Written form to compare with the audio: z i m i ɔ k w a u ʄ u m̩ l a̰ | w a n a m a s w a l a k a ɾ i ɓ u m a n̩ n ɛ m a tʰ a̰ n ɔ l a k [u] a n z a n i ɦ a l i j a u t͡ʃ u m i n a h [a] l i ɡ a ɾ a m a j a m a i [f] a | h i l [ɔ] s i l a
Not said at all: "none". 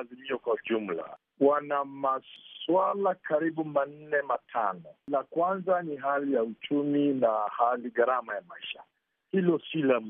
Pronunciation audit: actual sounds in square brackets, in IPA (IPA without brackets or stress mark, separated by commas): w, a, ʃ, ɔ